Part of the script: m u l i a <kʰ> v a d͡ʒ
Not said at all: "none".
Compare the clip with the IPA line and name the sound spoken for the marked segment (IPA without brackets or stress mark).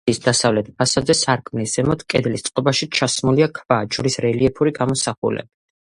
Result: kʰ